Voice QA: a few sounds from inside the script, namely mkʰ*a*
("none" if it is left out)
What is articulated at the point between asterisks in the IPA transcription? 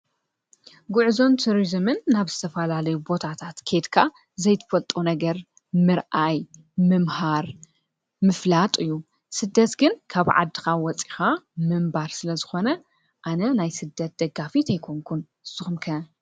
ɐ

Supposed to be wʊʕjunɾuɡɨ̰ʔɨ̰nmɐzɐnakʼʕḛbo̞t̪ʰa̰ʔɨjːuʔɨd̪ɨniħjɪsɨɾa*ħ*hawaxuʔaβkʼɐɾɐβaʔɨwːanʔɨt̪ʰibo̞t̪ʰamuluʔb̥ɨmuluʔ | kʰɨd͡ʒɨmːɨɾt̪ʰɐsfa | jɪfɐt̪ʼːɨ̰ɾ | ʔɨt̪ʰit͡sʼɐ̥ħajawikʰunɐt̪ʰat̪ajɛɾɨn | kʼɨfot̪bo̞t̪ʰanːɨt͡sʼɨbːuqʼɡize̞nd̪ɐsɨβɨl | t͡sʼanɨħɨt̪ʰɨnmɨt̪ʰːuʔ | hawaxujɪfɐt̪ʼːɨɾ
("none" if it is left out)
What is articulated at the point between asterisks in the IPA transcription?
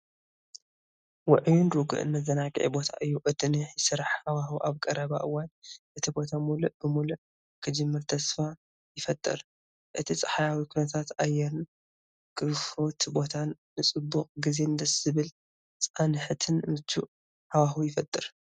ħ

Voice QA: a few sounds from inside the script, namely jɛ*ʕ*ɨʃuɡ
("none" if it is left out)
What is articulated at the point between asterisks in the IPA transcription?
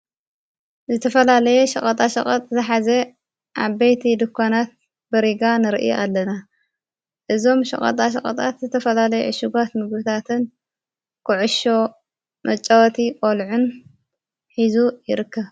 ʕ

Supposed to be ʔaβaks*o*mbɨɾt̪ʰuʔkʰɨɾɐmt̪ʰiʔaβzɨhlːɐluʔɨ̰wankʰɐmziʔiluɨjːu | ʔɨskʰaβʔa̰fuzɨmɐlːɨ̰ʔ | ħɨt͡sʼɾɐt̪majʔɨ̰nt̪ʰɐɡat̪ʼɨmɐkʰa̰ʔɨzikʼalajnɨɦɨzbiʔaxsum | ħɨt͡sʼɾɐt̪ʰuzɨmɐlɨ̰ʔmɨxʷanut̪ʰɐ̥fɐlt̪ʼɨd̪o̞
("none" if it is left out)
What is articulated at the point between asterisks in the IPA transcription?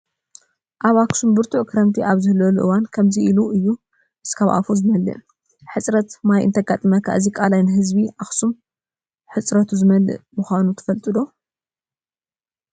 u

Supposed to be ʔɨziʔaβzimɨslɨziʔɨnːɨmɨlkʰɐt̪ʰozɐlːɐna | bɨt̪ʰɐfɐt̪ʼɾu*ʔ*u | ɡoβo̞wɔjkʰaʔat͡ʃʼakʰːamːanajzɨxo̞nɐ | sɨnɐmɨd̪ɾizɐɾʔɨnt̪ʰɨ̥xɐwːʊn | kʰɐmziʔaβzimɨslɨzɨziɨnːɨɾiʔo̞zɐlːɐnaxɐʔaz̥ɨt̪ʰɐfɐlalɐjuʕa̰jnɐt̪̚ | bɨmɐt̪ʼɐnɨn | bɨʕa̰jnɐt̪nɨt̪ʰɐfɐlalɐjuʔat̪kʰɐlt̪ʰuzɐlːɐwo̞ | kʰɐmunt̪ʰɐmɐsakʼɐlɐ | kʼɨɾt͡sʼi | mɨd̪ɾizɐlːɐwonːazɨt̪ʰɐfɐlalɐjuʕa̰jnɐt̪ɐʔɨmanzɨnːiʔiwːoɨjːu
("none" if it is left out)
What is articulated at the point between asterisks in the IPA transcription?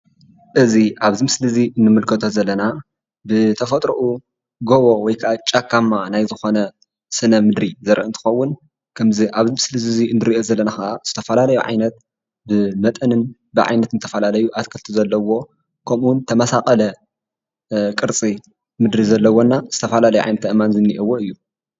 ʔ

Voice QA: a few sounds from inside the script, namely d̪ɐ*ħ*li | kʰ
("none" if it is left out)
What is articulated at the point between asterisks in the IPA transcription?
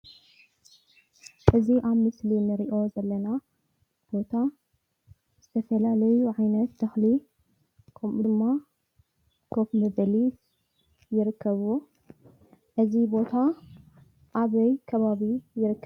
x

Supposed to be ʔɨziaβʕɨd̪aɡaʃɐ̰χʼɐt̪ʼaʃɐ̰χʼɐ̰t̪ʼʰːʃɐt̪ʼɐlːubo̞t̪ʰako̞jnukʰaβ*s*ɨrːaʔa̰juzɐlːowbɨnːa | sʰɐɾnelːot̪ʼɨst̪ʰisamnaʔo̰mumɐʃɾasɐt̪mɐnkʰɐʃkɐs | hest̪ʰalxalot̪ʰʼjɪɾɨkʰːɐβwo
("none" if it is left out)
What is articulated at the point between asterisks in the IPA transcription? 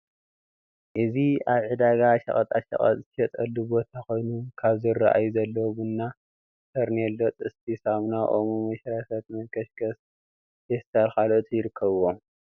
z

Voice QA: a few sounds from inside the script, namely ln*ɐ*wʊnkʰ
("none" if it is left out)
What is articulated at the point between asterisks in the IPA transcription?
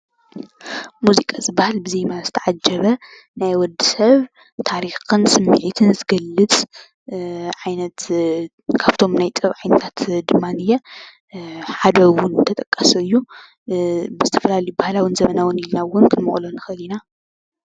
a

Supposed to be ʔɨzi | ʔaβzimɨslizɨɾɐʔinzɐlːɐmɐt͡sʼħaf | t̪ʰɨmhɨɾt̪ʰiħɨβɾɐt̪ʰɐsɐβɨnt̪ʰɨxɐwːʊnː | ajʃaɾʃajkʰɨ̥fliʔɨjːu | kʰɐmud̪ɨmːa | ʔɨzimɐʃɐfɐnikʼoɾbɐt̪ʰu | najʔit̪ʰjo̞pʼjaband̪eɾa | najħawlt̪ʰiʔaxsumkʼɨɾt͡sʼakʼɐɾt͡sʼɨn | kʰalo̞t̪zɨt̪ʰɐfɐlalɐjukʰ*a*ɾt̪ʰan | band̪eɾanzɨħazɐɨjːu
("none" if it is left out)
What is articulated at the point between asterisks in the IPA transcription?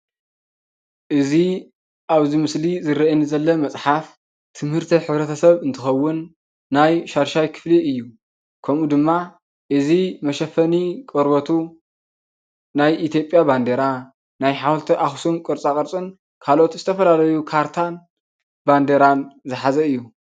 a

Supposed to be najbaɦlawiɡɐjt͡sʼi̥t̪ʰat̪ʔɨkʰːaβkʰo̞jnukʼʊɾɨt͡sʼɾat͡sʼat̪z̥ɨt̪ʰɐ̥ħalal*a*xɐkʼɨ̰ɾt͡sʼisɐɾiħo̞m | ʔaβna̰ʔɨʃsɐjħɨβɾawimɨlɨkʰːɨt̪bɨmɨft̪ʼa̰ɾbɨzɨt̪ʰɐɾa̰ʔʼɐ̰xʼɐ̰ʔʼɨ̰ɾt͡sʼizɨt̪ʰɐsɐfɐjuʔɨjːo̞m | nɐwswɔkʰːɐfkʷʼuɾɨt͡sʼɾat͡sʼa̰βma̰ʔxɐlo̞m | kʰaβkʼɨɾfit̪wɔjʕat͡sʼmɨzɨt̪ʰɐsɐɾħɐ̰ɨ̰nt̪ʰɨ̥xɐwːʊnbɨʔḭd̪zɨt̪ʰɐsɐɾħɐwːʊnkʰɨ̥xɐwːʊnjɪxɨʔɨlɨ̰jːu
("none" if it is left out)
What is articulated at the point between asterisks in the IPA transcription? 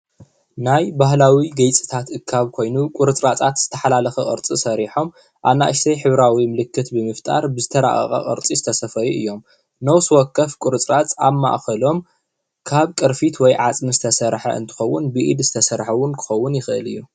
ɐ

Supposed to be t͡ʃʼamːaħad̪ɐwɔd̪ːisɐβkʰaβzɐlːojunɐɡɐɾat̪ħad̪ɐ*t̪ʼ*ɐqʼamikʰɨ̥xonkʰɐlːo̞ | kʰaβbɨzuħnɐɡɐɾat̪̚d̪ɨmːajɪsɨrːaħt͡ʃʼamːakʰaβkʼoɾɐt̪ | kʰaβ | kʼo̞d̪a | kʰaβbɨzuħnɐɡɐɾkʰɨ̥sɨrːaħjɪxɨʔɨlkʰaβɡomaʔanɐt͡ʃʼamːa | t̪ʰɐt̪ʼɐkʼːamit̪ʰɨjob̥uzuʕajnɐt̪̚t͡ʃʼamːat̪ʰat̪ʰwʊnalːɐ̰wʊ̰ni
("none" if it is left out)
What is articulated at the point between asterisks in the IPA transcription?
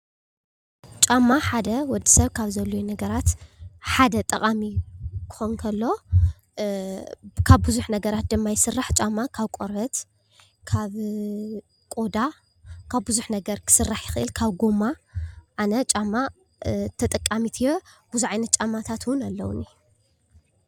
t̪ʼ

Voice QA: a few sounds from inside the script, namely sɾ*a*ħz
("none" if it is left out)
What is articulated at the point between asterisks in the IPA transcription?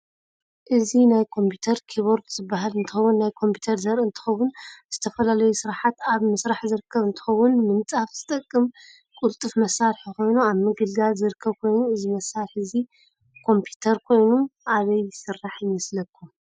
a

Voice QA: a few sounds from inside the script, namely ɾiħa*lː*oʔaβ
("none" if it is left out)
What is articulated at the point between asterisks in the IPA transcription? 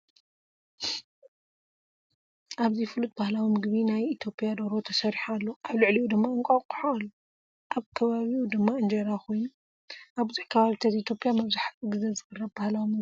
lː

